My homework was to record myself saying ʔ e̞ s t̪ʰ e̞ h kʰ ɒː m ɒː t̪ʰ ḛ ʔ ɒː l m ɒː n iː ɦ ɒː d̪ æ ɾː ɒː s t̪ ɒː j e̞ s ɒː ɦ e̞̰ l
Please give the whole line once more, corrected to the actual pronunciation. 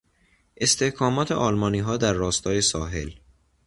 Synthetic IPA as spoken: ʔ e̞ s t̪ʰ e̞ h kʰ ɒː m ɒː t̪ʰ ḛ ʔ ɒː l m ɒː n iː ɦ ɒː d̪ æ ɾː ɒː s t̪ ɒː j e̞ s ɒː ɦ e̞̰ l